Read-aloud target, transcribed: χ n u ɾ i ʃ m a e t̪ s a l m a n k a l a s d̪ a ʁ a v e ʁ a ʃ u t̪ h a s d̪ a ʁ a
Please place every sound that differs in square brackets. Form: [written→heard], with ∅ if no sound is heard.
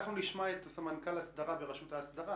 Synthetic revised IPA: χ n u [ɾ→l] i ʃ m a e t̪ s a [l→∅] m a n k a l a s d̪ a ʁ a [v→b] e ʁ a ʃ u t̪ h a s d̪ a ʁ a